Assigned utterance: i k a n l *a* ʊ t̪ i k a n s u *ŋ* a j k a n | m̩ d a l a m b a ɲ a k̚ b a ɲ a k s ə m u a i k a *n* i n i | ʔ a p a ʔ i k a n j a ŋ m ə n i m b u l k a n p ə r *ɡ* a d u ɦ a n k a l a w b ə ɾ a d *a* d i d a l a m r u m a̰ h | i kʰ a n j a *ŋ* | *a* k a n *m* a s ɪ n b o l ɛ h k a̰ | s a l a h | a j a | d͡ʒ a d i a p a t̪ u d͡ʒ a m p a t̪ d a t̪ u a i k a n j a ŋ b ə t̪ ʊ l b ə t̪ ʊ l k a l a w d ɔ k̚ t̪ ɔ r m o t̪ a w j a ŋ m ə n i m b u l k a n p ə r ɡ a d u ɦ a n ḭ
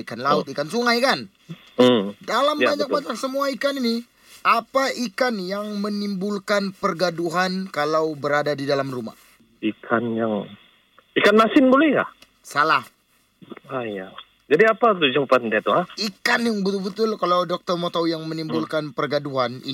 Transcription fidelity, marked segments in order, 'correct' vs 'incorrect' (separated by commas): correct, correct, correct, correct, correct, correct, incorrect, correct